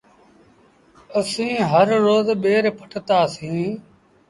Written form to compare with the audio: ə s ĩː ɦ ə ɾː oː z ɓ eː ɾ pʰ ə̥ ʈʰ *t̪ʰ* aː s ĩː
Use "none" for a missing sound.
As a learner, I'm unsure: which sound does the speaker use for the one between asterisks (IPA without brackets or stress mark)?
t̪